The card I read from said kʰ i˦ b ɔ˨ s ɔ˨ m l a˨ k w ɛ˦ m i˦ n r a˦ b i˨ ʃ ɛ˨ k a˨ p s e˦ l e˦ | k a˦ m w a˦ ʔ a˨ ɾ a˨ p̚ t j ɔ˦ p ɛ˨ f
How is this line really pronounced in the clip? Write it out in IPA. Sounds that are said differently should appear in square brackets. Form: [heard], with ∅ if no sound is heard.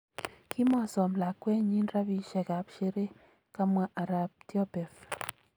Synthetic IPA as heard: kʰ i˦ [m] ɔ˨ s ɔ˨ m l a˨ k w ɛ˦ [ɲ] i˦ n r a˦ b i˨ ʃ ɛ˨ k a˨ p [ʃ] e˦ [ɾ] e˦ | k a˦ m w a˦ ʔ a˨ ɾ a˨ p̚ t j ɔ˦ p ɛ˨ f